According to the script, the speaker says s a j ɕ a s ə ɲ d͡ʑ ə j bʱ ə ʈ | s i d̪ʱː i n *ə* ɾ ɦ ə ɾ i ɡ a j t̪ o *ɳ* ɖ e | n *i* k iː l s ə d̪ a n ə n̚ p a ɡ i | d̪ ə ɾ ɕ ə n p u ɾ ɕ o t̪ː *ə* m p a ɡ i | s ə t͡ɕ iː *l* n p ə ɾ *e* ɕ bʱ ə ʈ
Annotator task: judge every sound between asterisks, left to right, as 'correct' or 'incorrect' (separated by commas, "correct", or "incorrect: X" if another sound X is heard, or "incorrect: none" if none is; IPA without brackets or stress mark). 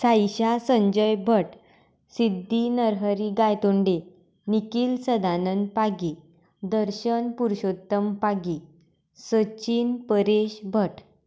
correct, correct, correct, correct, incorrect: none, correct